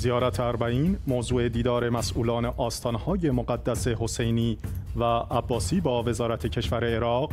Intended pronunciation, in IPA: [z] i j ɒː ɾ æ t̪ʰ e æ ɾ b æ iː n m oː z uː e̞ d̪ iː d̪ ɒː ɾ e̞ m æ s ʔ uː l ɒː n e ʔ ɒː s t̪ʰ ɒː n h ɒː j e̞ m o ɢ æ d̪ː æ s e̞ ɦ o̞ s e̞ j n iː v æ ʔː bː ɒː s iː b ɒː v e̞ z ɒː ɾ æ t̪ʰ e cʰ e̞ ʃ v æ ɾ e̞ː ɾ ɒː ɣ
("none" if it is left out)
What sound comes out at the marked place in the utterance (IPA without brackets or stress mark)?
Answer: z